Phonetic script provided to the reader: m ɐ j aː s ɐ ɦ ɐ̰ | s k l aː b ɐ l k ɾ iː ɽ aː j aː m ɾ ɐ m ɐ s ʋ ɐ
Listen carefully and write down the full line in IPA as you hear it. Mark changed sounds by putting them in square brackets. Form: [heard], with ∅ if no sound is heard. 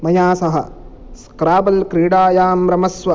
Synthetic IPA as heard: m ɐ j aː s ɐ ɦ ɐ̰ | s k [ɾ] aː b ɐ l k ɾ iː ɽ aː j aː m ɾ ɐ m ɐ s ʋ ɐ